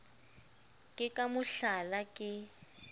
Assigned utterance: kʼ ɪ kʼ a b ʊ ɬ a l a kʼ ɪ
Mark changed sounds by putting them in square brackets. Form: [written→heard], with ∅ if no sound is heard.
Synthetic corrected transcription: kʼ ɪ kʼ a [b→m] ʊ ɬ a l a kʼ ɪ